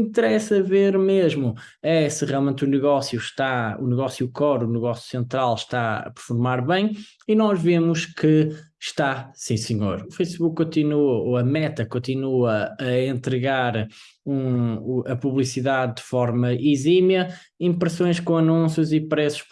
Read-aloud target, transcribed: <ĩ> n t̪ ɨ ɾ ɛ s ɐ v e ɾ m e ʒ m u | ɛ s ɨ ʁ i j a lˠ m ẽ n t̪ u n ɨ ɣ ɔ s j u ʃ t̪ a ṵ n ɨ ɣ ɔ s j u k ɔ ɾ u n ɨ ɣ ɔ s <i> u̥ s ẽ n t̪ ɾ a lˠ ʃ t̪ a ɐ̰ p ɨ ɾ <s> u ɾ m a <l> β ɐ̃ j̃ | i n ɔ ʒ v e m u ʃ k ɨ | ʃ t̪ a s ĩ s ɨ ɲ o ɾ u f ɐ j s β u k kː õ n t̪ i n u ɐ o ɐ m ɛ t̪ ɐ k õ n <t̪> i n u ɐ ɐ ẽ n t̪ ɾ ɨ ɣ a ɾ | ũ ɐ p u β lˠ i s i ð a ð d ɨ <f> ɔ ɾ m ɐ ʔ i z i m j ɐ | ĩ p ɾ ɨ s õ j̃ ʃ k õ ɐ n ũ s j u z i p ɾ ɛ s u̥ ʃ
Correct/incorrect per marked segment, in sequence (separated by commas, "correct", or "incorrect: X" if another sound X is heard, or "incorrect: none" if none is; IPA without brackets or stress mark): correct, incorrect: j, incorrect: f, incorrect: ɾ, correct, correct